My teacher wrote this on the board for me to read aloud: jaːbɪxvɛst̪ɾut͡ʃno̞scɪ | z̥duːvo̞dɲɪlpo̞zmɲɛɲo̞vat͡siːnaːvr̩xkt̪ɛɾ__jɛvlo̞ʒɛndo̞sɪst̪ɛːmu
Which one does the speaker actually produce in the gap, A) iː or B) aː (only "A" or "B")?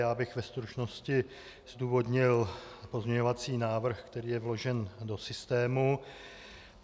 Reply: A